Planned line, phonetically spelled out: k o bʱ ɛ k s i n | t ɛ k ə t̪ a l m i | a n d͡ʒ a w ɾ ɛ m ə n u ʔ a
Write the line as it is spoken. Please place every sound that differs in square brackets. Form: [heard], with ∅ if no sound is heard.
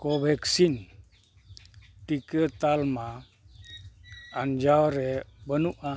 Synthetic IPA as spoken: k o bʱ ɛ k s i n | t [i] k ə t̪ a l m [a] | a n d͡ʒ a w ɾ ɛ [b] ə n u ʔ a